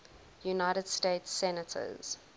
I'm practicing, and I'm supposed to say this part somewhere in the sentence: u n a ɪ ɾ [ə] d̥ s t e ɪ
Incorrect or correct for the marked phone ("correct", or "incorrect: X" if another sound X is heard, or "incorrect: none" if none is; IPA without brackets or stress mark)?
correct